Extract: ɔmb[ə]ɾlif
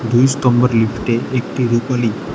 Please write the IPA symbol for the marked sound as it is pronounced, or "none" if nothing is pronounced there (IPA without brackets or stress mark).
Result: ə